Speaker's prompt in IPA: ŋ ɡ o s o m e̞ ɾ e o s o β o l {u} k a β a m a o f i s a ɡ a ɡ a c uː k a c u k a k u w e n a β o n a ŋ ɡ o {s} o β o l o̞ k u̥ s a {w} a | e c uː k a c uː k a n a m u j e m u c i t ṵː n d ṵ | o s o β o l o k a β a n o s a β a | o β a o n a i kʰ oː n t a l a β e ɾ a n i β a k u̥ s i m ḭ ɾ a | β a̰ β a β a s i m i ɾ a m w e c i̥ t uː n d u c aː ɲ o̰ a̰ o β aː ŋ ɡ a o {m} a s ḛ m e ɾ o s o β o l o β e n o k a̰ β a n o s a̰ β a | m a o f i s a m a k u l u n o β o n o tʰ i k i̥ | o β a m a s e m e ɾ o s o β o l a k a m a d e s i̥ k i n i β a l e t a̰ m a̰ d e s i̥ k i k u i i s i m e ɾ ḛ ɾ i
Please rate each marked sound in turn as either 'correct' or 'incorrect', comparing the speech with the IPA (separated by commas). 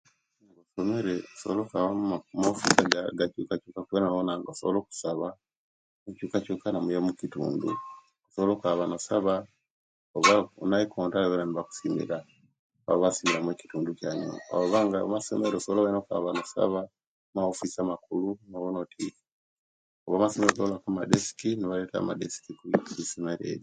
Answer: incorrect, correct, incorrect, correct